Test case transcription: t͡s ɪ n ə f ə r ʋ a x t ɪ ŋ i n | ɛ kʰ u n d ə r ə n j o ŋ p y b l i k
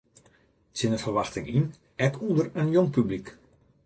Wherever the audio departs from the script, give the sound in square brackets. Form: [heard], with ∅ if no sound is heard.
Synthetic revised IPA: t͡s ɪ n ə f ə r ʋ a x t ɪ ŋ i n | ɛ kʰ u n d ə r ə n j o ŋ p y b l i k